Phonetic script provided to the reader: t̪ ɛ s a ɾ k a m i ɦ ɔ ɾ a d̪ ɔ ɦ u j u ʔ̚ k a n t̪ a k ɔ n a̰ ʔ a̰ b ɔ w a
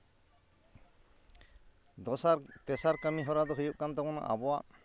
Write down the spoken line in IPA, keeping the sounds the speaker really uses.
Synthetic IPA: t̪ ɛ s a ɾ k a m i ɦ ɔ ɾ a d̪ ɔ ɦ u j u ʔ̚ k a n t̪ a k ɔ n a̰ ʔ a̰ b ɔ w a